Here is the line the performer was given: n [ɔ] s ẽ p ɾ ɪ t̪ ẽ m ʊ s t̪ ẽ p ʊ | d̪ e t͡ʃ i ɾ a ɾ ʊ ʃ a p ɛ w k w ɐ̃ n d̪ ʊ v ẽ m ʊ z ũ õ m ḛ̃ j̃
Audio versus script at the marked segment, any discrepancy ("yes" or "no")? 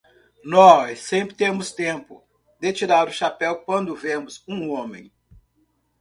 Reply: no